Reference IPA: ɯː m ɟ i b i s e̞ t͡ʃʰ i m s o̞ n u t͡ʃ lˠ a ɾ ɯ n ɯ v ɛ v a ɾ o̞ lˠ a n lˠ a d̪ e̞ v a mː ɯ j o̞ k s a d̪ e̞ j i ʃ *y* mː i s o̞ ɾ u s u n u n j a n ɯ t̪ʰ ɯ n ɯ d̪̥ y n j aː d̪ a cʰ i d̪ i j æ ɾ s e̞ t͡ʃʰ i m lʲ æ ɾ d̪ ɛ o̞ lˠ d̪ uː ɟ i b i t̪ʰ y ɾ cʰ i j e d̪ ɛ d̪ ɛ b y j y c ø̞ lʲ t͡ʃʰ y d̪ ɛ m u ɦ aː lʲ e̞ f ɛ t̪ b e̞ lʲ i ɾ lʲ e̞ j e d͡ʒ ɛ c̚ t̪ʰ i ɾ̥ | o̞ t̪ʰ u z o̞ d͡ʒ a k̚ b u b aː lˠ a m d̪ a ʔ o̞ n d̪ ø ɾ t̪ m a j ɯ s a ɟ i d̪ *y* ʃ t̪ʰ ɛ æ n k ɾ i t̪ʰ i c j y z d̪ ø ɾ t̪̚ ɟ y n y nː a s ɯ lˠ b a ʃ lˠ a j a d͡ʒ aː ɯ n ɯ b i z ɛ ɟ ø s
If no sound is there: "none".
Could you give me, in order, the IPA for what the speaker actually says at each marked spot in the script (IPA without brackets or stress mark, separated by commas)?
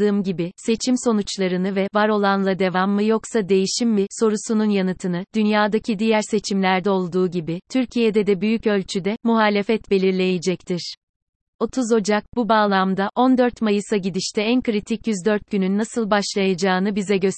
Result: i, i